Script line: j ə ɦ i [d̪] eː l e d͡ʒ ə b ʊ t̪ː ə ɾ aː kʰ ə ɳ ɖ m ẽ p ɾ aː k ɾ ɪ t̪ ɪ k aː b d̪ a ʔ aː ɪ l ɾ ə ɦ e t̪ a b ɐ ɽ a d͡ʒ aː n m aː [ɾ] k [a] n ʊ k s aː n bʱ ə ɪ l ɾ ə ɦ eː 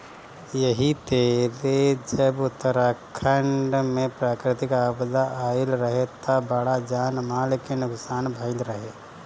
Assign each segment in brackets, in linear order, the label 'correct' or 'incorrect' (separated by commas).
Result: incorrect, incorrect, incorrect